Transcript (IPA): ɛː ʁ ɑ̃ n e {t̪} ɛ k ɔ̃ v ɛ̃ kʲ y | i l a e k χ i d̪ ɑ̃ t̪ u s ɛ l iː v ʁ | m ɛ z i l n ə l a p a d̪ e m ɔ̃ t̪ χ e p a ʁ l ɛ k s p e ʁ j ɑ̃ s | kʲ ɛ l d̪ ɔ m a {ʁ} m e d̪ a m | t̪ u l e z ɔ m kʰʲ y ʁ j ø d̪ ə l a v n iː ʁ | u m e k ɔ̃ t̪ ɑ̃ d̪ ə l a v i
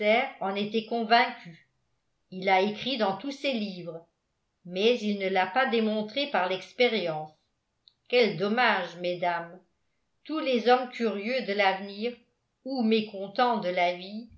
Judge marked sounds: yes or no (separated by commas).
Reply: yes, no